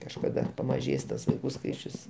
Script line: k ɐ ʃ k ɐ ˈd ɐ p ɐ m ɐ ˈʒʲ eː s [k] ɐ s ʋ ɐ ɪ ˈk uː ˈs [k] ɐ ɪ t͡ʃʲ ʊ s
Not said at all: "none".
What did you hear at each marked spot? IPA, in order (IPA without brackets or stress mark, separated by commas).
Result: t, k